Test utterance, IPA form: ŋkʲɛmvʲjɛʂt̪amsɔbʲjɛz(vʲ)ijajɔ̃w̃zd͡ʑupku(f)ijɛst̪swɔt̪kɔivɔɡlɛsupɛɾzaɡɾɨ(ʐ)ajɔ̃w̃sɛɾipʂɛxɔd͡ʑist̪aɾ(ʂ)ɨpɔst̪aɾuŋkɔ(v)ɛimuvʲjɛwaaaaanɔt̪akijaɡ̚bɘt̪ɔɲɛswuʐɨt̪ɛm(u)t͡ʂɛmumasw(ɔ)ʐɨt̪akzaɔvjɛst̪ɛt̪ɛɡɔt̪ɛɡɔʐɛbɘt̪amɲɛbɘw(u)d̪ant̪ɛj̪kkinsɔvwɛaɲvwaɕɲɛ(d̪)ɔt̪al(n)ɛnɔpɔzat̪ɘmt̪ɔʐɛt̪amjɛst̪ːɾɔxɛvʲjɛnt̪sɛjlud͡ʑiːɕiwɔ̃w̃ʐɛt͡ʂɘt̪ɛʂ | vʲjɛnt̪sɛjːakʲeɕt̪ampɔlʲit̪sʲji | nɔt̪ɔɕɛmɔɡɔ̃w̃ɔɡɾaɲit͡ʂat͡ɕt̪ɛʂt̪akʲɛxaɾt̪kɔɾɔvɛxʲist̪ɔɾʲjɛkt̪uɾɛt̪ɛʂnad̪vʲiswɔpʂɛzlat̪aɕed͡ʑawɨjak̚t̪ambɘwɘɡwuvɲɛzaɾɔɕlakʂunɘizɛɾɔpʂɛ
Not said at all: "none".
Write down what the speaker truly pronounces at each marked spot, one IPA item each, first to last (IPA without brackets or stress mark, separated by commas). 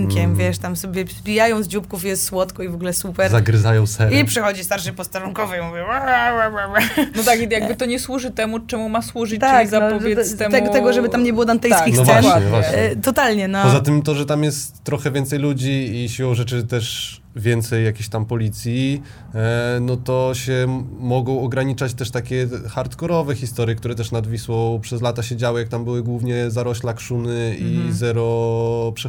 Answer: bʲ, f, z, ʂ, v, u, u, ɔ, t̪, ɲ